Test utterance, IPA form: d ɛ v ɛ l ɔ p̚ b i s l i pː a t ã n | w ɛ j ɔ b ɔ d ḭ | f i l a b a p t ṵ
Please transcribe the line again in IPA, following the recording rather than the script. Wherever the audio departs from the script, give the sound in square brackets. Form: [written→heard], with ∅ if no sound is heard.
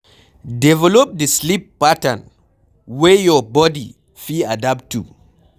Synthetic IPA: d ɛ v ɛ l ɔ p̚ [b→d] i s l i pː a t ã n | w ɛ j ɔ b ɔ d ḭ | f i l a [b→d] a p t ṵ